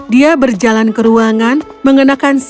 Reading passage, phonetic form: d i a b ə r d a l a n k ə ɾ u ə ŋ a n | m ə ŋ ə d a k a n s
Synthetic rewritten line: d i a b ə r d͡ʒ a l a n k ə ɾ u a ŋ a n | m ə ŋ ə n a k a n s